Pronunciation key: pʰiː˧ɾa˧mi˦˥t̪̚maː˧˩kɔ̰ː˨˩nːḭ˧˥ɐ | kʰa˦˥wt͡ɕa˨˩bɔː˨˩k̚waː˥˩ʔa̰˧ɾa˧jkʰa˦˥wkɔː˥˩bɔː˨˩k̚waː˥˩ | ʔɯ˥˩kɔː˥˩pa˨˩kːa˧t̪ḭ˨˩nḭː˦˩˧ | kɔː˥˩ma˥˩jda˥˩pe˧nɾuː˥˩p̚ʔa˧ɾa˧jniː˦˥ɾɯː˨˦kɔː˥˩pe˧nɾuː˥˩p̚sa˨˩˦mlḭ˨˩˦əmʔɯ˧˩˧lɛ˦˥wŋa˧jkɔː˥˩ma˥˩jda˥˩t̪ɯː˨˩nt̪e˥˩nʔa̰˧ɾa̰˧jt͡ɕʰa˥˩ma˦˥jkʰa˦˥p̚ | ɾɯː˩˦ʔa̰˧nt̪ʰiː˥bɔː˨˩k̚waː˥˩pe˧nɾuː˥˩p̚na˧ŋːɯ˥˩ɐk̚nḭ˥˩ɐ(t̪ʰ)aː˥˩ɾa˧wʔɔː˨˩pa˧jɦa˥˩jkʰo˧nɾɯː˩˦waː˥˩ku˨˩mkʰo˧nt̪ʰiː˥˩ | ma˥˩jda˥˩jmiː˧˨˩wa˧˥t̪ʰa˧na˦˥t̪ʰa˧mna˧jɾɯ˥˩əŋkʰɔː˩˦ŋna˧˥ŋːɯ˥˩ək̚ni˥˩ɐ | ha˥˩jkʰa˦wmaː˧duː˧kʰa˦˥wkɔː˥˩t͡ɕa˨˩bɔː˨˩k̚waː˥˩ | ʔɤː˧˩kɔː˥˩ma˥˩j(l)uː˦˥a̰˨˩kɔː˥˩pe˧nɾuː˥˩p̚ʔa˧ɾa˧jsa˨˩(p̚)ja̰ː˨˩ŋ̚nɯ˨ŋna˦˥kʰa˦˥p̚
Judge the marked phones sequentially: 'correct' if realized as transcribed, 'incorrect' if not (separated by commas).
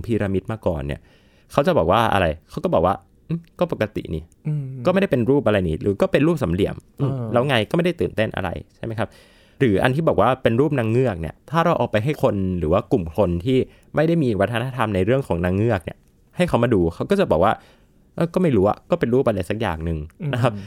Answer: correct, incorrect, incorrect